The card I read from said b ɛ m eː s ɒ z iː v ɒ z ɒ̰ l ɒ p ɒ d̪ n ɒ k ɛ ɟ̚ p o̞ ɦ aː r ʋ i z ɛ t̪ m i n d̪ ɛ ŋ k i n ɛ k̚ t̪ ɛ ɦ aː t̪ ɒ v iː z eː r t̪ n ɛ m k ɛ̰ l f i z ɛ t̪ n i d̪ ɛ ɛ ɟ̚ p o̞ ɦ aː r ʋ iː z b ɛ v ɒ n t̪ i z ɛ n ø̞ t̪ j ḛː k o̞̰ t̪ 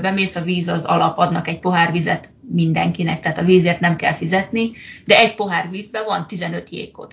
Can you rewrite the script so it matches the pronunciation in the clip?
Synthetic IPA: b ɛ m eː s ɒ v iː z ɒ z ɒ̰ l ɒ p ɒ d̪ n ɒ k ɛ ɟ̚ p o̞ ɦ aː r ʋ i z ɛ t̪ m i n d̪ ɛ ŋ k i n ɛ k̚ t̪ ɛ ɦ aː t̪ ɒ v iː z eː r t̪ n ɛ m k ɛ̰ l f i z ɛ t̪ n i d̪ ɛ ɛ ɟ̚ p o̞ ɦ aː r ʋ iː z b ɛ v ɒ n t̪ i z ɛ n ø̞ t̪ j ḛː k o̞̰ t̪